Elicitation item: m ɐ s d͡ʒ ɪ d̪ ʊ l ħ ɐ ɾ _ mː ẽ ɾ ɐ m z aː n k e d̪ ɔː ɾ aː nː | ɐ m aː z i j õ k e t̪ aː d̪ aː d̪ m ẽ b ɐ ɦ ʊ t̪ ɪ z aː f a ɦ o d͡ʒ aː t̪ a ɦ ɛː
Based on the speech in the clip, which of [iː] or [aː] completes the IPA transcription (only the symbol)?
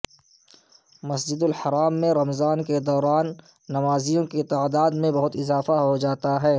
aː